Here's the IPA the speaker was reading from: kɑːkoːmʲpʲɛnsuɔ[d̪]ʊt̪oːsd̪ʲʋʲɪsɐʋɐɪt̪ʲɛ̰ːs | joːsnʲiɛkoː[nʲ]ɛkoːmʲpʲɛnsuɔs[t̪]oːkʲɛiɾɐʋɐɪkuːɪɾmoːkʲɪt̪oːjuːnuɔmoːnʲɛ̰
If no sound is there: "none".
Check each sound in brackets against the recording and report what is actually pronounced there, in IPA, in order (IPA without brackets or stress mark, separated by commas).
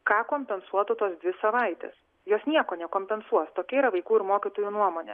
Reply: t̪, nʲ, t̪